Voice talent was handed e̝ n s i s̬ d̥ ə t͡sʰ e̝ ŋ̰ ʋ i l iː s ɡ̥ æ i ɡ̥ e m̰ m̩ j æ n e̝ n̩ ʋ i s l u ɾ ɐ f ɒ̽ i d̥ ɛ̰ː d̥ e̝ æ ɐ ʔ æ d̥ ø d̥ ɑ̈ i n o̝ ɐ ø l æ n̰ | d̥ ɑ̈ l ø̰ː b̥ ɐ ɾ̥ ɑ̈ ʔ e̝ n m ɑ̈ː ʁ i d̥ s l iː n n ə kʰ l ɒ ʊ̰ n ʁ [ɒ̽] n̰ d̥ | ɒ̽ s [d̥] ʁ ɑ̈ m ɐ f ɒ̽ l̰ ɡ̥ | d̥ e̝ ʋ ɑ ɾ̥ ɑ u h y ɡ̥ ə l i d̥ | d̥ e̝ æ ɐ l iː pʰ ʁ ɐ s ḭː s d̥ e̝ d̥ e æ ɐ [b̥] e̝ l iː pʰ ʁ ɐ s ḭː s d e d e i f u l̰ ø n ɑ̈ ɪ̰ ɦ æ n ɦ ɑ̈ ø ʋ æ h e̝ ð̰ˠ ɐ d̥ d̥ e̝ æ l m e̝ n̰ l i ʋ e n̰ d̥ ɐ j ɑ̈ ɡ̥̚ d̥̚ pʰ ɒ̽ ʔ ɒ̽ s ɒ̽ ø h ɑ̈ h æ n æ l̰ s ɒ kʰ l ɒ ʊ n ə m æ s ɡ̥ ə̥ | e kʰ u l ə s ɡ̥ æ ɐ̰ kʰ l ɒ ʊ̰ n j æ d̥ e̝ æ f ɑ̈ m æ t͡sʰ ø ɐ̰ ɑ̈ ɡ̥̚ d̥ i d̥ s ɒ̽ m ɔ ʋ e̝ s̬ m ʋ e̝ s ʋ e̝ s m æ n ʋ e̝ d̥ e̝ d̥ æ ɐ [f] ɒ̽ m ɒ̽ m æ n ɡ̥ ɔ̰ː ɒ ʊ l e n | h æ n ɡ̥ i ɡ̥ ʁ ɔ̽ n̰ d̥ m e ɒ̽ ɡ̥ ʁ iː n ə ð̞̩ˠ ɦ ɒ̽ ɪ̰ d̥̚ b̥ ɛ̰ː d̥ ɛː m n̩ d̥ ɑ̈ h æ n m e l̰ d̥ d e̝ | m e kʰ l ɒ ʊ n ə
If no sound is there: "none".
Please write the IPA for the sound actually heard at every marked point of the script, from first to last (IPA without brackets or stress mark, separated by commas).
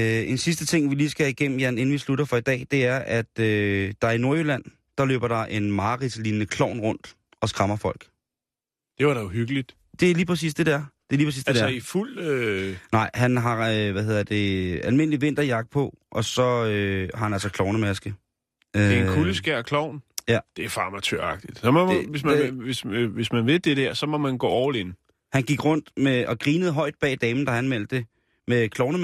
ɔ̽, ɡ̥, d̥, s